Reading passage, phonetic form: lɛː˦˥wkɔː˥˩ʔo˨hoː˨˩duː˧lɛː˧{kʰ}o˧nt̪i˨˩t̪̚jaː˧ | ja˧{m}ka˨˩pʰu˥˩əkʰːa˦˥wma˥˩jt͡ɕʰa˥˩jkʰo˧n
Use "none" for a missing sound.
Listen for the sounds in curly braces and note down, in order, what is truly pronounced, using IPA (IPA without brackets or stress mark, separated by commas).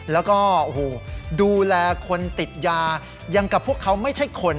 kʰ, ŋ